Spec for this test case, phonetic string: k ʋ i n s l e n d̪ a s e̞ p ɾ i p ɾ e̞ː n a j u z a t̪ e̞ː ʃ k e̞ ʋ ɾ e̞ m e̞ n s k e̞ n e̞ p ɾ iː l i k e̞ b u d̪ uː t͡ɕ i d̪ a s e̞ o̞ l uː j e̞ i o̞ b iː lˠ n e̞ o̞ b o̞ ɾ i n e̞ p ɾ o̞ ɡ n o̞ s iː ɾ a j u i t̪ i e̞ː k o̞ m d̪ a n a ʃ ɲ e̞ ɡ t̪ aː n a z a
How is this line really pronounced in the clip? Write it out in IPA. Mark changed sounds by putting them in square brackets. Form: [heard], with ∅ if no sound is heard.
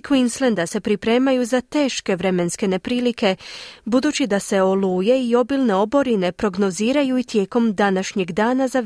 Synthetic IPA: k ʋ i n s l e n d̪ a s e̞ p ɾ i p ɾ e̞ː [m] a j u z a t̪ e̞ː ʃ k e̞ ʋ ɾ e̞ m e̞ n s k e̞ n e̞ p ɾ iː l i k e̞ b u d̪ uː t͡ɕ i d̪ a s e̞ o̞ l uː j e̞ i o̞ b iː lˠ n e̞ o̞ b o̞ ɾ i n e̞ p ɾ o̞ ɡ n o̞ [z] iː ɾ a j u i t̪ [j] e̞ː k o̞ m d̪ a n a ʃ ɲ e̞ ɡ [d̪] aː n a z a